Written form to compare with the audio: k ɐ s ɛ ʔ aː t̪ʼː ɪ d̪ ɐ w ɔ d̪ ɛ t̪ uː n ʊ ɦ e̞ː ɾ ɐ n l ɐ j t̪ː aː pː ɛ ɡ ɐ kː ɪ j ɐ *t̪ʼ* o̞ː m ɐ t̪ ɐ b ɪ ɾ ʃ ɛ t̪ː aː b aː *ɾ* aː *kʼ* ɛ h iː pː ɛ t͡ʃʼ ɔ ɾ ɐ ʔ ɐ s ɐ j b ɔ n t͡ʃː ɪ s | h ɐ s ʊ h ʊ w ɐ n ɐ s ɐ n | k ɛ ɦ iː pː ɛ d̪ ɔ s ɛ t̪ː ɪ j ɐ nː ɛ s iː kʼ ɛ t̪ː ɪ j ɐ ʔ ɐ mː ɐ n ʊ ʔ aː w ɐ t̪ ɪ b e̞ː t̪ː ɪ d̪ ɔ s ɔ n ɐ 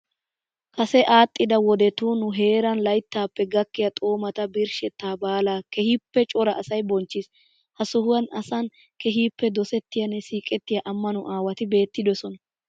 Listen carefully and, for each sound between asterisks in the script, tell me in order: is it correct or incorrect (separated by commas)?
correct, incorrect, incorrect